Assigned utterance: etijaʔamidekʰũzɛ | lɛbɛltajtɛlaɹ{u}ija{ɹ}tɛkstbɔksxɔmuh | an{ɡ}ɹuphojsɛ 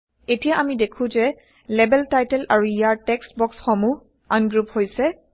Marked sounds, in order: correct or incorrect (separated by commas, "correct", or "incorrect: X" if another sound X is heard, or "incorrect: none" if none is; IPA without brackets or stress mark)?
correct, correct, correct